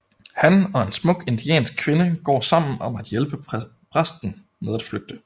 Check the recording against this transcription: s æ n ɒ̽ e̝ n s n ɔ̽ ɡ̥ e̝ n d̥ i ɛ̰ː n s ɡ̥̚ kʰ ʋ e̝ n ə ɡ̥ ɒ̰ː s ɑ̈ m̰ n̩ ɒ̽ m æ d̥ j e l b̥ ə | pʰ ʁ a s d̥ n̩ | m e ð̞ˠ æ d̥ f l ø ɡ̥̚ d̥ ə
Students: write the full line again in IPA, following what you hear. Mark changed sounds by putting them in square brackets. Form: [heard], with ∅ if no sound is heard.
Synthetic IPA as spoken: [h] æ n ɒ̽ e̝ n s [m] ɔ̽ ɡ̥ e̝ n d̥ i ɛ̰ː n s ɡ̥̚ kʰ ʋ e̝ n ə ɡ̥ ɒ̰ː s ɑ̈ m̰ n̩ ɒ̽ m æ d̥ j e l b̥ ə | pʰ ʁ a s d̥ n̩ | m e ð̞ˠ æ d̥ f l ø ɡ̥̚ d̥ ə